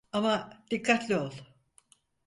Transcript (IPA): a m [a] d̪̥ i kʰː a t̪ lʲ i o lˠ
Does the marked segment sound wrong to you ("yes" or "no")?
no